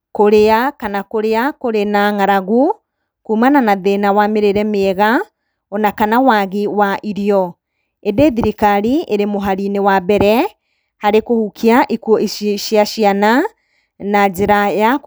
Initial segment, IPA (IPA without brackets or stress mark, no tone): k